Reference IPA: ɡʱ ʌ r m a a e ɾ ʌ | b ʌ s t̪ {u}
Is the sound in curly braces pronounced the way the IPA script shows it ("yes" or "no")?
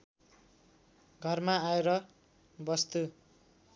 yes